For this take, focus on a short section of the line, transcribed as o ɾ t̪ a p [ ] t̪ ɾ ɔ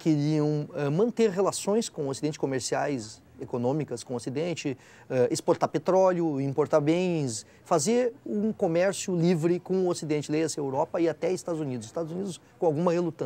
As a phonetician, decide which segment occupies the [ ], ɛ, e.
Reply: e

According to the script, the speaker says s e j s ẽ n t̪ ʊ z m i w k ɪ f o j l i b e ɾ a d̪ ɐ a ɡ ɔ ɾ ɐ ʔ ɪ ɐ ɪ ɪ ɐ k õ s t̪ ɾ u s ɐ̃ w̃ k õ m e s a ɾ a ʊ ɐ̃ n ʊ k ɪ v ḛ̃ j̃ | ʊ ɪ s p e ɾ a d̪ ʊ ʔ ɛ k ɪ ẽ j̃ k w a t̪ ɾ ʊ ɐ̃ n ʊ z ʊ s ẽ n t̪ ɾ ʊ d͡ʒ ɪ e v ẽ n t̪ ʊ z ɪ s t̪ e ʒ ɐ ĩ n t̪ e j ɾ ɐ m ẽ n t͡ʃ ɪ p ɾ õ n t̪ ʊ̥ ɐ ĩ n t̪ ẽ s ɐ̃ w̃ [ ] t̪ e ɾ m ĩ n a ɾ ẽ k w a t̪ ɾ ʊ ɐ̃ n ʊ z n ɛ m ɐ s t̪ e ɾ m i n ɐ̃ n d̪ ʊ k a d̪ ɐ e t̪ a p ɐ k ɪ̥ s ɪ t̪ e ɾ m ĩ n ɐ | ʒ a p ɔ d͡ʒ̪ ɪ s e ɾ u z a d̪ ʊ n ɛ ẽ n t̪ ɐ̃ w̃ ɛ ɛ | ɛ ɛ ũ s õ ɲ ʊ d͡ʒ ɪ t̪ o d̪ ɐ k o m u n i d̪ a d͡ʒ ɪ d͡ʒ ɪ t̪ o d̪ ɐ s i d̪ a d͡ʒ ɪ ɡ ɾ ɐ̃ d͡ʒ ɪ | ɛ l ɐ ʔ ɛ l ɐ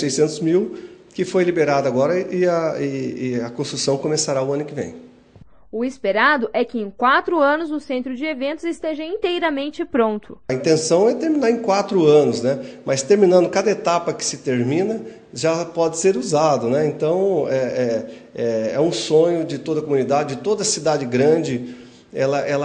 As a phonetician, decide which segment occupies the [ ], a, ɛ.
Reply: ɛ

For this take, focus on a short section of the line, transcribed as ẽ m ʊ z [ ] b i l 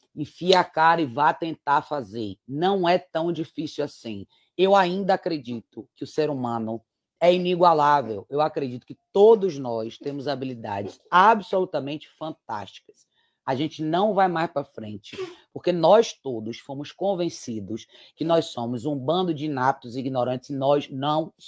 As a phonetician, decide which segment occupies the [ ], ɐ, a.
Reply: a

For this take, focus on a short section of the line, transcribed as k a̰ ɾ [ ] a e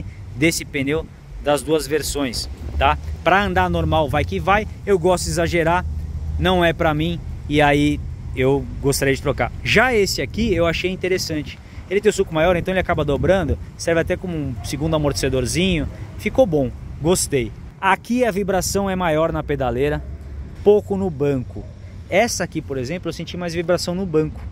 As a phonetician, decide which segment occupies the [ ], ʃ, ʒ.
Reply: ʒ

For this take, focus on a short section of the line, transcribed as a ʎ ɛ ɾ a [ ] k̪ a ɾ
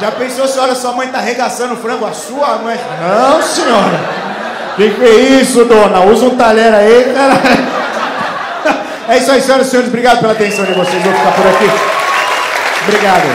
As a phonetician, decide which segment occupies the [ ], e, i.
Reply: i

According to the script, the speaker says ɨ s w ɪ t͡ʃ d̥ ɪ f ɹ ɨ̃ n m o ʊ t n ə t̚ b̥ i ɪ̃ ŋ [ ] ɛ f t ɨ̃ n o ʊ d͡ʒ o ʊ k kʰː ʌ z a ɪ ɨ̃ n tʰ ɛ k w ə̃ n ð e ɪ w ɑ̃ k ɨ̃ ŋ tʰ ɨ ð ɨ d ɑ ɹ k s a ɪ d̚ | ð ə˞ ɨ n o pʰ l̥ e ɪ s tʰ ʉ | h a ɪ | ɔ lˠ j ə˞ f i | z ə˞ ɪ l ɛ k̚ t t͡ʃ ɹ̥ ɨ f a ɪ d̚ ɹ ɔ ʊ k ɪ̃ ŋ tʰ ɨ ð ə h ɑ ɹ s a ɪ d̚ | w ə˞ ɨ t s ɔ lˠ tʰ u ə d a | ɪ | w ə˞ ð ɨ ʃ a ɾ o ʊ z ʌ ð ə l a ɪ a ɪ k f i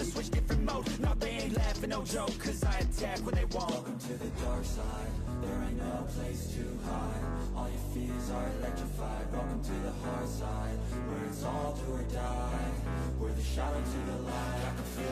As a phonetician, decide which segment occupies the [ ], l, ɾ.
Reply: l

